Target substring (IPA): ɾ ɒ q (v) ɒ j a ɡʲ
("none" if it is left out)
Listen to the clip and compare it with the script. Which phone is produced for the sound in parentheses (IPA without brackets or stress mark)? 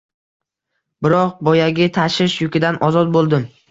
b